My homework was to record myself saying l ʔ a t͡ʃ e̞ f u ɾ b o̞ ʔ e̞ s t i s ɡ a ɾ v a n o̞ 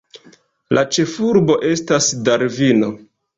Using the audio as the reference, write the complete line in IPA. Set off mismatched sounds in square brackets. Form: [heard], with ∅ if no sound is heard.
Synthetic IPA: l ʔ a t͡ʃ e̞ f u ɾ b o̞ ʔ e̞ s t [a] s [d] a ɾ v [i] n o̞